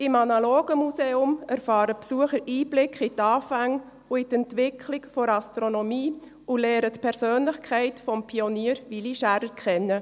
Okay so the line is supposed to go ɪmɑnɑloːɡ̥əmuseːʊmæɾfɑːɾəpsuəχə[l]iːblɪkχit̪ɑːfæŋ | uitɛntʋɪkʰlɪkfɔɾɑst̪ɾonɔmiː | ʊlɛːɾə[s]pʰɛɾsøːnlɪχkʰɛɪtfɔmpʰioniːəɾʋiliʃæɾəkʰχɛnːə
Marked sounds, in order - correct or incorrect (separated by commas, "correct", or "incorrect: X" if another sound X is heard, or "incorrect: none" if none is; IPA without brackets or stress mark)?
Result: incorrect: ɾ, incorrect: t